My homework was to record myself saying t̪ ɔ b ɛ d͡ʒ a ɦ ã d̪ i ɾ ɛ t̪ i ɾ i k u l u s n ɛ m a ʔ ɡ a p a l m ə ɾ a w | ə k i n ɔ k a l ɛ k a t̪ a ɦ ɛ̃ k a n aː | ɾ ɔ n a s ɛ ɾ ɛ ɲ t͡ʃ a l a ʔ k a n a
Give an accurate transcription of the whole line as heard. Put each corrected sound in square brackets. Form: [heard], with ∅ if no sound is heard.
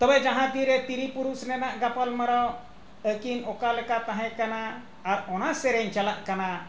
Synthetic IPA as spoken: t̪ ɔ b ɛ d͡ʒ a ɦ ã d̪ i ɾ ɛ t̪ i ɾ i [p] u [ɾ] u s n ɛ [n] a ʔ ɡ a p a l m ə ɾ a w | ə k i n ɔ k a l ɛ k a t̪ a ɦ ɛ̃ k a n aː | ɾ ɔ n a s ɛ ɾ ɛ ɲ t͡ʃ a l a ʔ k a n a

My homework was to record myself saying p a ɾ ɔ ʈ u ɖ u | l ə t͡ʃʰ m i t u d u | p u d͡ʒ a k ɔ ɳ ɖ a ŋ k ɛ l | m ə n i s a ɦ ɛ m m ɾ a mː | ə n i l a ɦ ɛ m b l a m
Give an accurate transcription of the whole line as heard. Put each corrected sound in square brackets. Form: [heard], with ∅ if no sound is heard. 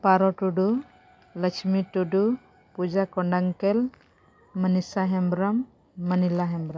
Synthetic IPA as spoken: p a ɾ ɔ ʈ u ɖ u | l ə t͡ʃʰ m i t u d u | p u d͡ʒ a k ɔ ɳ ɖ a ŋ k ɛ l | m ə n i s a ɦ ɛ m [b] ɾ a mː | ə n i l a ɦ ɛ m b [ɾ] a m

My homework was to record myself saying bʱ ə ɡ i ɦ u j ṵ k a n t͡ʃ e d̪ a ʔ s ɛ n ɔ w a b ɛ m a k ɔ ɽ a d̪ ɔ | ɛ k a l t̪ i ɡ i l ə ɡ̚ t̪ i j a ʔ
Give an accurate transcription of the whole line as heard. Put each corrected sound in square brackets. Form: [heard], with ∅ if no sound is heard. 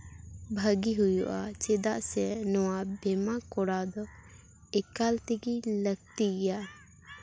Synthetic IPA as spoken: bʱ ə ɡ i ɦ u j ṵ [ʔ] a [∅] t͡ʃ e d̪ a ʔ s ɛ n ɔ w a b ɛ m a k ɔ ɽ a d̪ ɔ | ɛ k a l t̪ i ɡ i l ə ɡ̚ t̪ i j a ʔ

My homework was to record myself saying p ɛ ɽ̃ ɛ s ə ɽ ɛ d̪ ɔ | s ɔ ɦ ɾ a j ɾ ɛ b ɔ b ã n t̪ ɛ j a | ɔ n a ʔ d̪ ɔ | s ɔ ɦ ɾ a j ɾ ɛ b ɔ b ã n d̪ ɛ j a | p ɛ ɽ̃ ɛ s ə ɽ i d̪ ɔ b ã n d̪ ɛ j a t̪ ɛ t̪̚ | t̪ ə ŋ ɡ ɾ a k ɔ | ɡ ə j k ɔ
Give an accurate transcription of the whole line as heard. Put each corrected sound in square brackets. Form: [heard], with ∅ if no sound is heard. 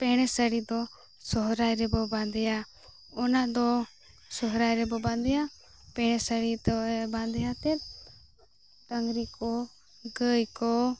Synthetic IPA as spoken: p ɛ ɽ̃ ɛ s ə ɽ [i] d̪ ɔ | s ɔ ɦ ɾ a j ɾ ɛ b ɔ b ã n [d̪] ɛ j a | ɔ n a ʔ d̪ ɔ | s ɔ ɦ ɾ a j ɾ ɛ b ɔ b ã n d̪ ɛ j a | p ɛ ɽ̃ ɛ s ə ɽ i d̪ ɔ b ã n d̪ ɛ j a t̪ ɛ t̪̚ | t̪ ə ŋ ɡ ɾ [i] k ɔ | ɡ ə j k ɔ

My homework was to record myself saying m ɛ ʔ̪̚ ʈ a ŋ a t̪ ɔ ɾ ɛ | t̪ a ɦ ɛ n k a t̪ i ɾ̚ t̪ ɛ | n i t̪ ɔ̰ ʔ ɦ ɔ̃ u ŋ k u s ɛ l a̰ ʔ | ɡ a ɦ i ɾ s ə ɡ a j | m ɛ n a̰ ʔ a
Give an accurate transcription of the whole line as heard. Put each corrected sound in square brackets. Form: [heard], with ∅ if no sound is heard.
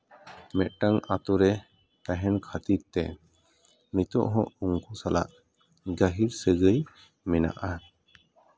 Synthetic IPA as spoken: m ɛ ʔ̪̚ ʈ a ŋ a t̪ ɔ ɾ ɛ | t̪ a ɦ ɛ n [kʰ] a t̪ i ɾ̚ t̪ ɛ | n i t̪ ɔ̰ ʔ ɦ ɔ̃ u ŋ k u s [a] l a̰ ʔ | ɡ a ɦ i ɾ s ə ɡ [ə] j | m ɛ n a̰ ʔ a

